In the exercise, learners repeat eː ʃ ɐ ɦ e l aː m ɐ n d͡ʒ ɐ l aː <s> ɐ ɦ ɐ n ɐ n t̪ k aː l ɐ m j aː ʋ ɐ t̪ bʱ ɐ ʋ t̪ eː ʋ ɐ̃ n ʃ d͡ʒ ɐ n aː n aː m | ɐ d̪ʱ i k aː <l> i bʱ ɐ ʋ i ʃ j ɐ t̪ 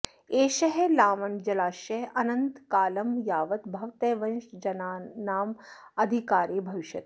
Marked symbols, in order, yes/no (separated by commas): no, no